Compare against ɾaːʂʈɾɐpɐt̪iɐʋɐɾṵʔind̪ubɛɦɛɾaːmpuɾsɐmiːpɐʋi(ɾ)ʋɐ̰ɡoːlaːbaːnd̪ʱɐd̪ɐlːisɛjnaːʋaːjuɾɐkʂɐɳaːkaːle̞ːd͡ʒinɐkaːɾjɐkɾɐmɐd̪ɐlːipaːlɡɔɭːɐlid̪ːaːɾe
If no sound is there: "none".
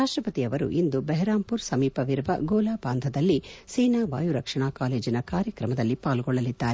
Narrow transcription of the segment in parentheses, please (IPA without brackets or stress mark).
ɾ